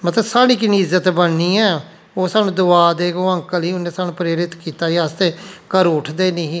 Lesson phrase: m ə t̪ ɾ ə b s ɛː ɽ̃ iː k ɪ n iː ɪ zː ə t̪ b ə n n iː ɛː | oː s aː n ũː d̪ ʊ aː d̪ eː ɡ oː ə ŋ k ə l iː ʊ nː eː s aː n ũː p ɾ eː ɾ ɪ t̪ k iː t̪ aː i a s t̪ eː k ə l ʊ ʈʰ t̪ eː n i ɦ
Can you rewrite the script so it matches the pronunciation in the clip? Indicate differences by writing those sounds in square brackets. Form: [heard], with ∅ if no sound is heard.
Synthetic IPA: m ə t̪ [l] ə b s [aː] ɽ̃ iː k ɪ n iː ɪ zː ə t̪ b ə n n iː ɛː | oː s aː n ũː d̪ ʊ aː d̪ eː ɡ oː ə ŋ k ə l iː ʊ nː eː s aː n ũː p ɾ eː ɾ ɪ t̪ k iː t̪ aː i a s t̪ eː k ə [ɾ] ʊ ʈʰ [d̪] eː n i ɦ

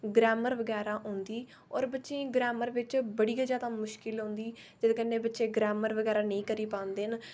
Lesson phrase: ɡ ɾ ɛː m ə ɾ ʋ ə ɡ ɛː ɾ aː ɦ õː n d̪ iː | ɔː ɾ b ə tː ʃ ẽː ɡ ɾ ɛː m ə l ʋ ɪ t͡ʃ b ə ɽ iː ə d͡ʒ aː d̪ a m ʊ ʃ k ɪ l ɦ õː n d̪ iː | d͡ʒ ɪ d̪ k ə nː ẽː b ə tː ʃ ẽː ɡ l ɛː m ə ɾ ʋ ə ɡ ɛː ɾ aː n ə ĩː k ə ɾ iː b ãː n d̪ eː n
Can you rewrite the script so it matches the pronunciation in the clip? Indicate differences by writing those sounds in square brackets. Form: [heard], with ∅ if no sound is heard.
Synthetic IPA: ɡ ɾ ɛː m ə ɾ ʋ ə ɡ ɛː ɾ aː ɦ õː n d̪ iː | ɔː ɾ b ə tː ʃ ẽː ɡ ɾ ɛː m ə [ɾ] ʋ ɪ t͡ʃ b ə ɽ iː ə d͡ʒ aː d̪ a m ʊ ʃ k ɪ l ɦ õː n d̪ iː | d͡ʒ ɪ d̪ k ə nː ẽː b ə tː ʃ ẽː ɡ [ɾ] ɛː m ə ɾ ʋ ə ɡ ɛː ɾ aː n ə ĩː k ə ɾ iː [p] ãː n d̪ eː n

